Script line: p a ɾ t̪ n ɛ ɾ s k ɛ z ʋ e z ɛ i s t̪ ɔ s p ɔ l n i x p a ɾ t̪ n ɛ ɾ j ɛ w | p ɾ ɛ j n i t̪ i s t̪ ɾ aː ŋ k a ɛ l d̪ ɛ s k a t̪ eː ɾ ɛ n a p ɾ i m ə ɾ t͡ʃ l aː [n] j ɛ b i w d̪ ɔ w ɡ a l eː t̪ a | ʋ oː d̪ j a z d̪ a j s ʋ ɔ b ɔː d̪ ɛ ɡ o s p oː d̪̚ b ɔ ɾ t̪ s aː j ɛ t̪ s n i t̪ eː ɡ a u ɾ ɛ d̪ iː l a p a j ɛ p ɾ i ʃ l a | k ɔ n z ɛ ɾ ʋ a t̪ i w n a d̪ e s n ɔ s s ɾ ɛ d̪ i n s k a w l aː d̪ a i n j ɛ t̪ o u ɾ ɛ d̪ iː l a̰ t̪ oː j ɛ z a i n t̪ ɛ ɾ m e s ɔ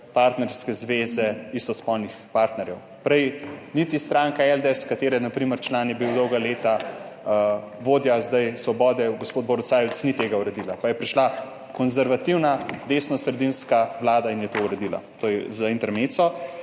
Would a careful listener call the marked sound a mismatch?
no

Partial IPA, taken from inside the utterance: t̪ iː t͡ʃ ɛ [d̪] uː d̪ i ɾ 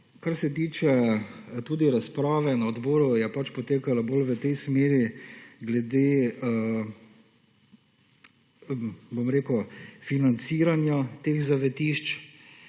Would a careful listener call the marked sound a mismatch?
yes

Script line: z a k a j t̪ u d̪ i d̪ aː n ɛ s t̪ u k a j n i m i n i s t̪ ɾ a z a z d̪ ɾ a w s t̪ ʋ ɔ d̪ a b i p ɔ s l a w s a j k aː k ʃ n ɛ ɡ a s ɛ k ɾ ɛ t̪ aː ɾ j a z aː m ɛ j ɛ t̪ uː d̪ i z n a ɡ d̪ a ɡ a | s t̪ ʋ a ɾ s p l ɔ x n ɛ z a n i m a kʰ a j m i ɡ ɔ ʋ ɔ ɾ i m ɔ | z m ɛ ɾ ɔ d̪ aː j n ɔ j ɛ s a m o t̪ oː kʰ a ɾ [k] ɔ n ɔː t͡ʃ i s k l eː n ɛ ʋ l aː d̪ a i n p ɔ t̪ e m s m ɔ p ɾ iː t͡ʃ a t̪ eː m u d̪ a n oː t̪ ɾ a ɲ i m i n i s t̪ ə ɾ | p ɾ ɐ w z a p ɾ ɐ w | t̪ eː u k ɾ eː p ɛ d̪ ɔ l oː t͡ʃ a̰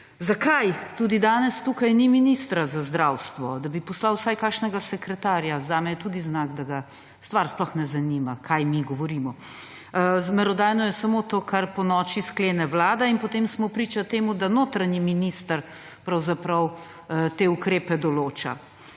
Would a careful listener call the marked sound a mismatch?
yes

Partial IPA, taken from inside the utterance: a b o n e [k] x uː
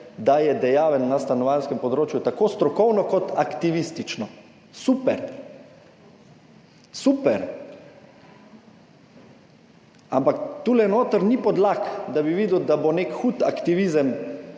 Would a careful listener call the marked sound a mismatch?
no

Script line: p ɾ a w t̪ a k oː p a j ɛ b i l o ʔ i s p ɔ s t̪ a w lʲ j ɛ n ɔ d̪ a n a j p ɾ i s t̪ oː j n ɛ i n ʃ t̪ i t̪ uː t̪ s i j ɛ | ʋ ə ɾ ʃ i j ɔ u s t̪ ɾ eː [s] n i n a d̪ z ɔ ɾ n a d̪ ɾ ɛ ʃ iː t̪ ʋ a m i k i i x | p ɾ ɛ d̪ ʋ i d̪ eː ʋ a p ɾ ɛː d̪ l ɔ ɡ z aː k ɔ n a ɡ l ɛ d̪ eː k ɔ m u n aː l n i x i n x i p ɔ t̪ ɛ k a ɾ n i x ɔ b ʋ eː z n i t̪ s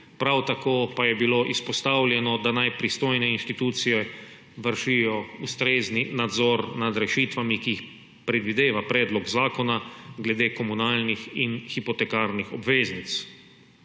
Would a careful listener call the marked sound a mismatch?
yes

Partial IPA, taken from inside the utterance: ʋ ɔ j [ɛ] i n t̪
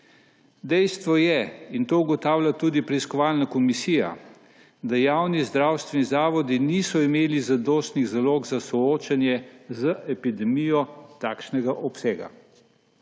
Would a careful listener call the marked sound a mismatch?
no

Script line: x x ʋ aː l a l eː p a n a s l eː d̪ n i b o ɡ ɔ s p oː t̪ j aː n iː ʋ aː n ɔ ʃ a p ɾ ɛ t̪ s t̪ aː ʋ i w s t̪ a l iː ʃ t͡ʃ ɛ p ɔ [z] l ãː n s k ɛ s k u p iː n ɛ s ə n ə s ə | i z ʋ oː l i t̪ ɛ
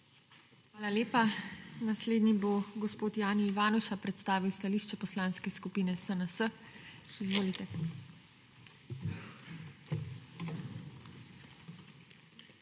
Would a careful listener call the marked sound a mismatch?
yes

